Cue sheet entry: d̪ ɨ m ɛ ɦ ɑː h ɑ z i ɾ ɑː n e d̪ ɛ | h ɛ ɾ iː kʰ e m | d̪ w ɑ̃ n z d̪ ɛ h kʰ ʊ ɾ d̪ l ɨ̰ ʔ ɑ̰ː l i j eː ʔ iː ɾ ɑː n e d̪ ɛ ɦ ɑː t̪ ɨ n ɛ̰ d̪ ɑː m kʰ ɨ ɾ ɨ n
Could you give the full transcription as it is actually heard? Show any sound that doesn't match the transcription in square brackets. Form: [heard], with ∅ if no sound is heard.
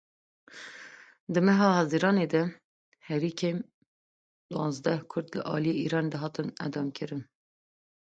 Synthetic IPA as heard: d̪ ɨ m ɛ ɦ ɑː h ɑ z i ɾ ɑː n e d̪ ɛ | h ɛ ɾ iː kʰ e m | d̪ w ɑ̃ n z d̪ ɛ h kʰ ʊ ɾ d̪ l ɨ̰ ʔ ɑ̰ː l i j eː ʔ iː ɾ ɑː n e d̪ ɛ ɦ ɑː t̪ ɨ n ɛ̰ d̪ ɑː m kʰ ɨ ɾ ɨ n